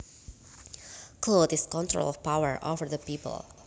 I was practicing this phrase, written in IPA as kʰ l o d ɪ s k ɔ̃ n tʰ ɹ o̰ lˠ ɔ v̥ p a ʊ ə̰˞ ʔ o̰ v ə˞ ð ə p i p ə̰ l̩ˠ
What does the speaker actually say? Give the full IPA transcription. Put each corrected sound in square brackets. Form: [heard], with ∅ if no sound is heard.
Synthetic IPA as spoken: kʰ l o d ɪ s k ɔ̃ n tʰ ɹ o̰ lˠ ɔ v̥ p a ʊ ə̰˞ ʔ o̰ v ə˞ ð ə p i p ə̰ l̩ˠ